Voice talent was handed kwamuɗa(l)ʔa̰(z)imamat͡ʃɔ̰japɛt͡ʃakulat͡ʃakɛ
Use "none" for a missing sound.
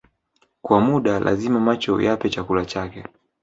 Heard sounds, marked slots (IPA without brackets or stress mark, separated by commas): l, z